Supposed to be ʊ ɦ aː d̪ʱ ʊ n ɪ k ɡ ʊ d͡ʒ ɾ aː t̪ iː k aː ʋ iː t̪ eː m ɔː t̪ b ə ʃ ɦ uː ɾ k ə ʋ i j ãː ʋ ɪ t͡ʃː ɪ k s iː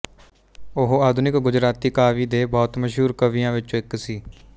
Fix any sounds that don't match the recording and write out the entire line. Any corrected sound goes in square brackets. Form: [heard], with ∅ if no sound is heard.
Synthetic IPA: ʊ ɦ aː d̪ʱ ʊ n ɪ k ɡ ʊ d͡ʒ ɾ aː t̪ iː k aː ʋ iː [d̪] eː [b] ɔː t̪ [m] ə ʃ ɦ uː ɾ k ə ʋ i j ãː ʋ ɪ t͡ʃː ɪ k s iː